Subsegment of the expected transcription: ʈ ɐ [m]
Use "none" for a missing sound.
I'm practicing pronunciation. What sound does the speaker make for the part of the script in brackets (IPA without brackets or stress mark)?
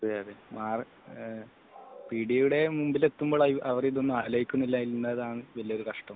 m